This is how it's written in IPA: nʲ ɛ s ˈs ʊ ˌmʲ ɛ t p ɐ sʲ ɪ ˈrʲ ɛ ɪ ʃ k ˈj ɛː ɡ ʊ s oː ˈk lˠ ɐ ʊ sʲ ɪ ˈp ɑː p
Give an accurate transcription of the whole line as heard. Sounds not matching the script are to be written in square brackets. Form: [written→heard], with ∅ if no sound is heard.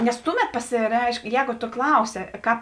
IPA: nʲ ɛ s [ˈs→ˈt] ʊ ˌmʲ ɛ t p ɐ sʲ ɪ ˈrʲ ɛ ɪ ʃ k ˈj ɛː ɡ ʊ [s→t] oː ˈk lˠ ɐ ʊ sʲ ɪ [ˈp→ˈk] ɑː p